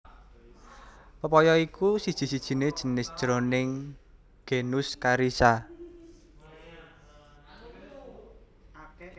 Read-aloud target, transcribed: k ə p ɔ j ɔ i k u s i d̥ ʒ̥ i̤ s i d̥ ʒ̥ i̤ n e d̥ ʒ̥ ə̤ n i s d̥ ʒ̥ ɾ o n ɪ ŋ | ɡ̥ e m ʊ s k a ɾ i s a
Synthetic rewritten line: p ə p ɔ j ɔ i k u s i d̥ ʒ̥ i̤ s i d̥ ʒ̥ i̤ n e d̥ ʒ̥ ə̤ n ɪ s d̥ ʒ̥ ɾ o n ɪ ŋ | ɡ̥ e n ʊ s k a ɾ i s a